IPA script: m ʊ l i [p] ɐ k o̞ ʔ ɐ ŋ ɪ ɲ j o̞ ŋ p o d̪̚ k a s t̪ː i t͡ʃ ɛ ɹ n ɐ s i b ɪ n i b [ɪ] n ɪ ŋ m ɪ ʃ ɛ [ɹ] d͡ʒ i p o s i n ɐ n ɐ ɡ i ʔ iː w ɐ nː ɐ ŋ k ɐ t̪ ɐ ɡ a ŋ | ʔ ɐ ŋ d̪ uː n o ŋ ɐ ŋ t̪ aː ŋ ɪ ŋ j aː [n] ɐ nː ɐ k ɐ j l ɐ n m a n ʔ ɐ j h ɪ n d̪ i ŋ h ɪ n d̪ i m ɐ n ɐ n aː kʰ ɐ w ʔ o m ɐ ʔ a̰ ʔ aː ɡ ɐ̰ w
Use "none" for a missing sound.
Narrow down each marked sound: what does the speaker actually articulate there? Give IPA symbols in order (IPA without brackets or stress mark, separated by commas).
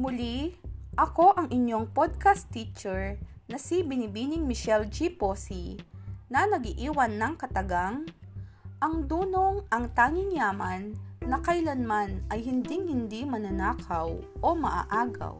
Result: ʔ, i, l, m